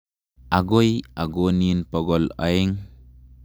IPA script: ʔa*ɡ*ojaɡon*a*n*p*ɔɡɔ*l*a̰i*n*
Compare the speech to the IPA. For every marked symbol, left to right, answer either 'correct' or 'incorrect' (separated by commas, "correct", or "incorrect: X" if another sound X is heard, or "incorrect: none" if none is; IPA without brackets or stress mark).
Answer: correct, incorrect: i, correct, correct, incorrect: ŋ